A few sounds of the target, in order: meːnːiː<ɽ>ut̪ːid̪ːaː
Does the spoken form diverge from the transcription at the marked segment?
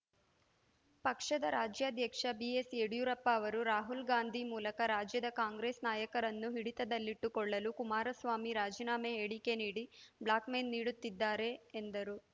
no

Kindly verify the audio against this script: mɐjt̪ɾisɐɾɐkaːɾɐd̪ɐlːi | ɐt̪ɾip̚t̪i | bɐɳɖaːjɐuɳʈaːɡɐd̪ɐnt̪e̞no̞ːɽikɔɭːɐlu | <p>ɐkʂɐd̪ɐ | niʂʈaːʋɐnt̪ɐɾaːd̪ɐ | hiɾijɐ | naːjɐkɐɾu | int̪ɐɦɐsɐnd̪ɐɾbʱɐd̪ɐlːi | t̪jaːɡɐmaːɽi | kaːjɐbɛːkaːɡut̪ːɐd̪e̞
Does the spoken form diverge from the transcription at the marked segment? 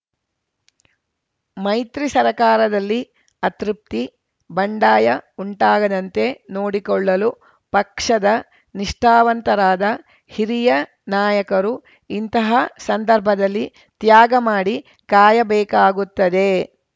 no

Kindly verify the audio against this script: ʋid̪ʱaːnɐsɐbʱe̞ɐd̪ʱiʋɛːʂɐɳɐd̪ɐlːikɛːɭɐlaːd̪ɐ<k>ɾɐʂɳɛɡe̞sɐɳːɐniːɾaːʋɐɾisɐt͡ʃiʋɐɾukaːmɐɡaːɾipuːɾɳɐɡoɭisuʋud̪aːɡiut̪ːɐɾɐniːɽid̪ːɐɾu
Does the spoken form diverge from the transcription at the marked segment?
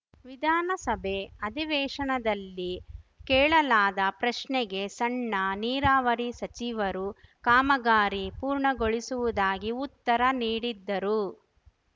yes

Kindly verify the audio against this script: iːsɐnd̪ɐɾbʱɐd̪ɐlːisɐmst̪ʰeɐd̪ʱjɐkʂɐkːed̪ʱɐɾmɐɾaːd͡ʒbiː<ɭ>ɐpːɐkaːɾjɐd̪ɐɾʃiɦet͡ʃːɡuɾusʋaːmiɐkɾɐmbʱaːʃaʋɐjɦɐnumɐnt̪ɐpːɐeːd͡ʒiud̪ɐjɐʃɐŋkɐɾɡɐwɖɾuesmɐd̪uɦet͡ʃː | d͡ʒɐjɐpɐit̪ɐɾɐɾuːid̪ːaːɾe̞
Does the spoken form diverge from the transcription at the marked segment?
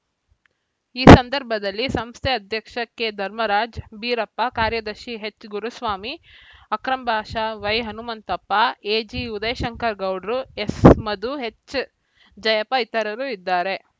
yes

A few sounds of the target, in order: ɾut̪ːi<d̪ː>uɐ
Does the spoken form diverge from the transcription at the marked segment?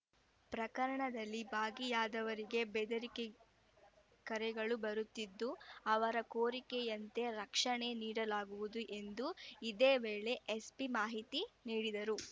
no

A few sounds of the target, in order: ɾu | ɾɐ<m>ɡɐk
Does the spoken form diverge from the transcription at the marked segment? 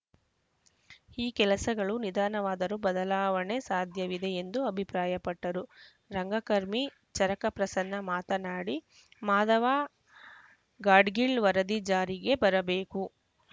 yes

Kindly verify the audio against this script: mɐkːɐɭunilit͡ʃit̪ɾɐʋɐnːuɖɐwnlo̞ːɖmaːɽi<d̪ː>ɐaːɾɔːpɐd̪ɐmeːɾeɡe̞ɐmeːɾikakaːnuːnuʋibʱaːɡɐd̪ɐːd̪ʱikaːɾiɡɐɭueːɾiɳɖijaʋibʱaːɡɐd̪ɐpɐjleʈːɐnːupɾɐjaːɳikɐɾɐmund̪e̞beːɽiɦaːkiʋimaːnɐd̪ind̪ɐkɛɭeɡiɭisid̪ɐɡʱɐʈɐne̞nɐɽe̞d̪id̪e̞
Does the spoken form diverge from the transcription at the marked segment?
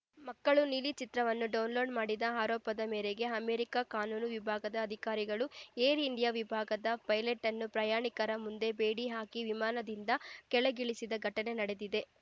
yes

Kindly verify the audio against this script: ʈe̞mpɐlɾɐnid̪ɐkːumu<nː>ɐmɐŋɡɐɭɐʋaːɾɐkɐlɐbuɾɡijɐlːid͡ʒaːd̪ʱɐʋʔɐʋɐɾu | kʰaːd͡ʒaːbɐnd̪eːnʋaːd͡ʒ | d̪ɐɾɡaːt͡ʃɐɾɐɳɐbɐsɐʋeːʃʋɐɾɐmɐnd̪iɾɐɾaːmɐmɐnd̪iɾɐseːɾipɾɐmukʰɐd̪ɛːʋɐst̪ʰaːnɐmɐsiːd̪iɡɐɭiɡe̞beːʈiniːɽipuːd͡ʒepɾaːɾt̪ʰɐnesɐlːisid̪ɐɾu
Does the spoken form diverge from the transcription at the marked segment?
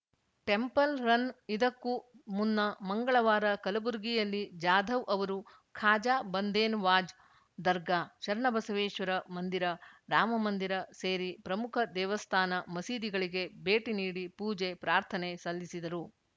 no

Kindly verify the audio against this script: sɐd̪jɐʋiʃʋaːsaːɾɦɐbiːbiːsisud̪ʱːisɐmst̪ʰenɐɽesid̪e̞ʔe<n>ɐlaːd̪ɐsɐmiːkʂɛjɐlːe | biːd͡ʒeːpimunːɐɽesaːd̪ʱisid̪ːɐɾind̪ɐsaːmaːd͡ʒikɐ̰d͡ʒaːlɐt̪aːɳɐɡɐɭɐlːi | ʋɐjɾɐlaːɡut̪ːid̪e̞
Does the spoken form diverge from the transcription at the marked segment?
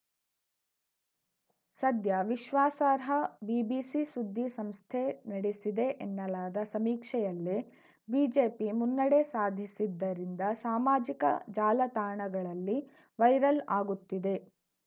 yes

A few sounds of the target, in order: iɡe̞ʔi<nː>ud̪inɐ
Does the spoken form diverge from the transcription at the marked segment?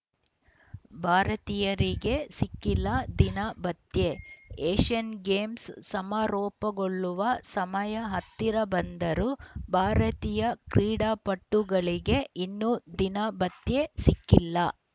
no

